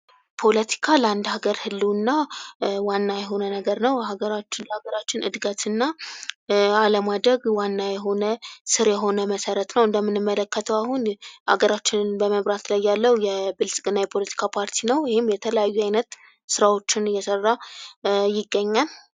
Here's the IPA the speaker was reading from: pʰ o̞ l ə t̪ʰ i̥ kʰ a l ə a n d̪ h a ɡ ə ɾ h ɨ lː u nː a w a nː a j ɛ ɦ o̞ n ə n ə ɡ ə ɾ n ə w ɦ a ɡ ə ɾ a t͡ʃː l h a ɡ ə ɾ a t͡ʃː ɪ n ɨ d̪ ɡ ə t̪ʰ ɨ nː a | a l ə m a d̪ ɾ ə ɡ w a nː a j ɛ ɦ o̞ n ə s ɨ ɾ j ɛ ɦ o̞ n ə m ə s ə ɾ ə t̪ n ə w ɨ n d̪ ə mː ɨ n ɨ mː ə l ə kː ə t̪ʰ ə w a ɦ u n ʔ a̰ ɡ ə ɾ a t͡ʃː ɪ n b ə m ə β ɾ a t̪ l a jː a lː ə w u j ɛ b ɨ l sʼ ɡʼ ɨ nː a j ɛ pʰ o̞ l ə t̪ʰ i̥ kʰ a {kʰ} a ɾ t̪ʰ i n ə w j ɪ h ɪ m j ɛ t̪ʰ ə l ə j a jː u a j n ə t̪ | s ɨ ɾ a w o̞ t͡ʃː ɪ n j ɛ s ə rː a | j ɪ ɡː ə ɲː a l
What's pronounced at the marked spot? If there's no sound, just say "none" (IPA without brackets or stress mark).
pʰ